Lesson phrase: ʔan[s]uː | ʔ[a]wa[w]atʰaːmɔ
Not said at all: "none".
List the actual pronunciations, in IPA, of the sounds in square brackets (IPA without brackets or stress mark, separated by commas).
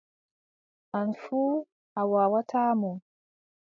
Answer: f, a, w